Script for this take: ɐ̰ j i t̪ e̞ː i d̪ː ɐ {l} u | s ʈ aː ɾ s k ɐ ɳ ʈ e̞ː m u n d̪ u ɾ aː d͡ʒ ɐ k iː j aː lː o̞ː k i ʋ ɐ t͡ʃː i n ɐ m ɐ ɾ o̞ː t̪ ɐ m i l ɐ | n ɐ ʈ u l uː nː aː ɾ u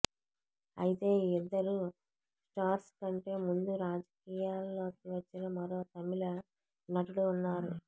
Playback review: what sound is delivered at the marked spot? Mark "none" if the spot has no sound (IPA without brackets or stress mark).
ɾ